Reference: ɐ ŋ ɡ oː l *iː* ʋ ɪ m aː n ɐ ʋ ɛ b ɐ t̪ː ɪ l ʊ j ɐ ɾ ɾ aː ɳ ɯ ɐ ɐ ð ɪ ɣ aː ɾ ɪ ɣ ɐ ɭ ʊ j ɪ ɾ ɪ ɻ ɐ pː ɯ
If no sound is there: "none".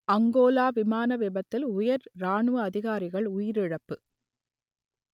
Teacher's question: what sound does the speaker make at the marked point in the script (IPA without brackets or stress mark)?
aː